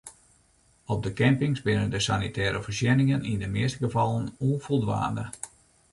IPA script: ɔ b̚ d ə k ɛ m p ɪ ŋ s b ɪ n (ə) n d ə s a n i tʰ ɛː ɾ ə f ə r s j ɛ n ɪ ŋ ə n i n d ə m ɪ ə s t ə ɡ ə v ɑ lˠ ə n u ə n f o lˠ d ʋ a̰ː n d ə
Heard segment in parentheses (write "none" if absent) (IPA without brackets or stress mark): ə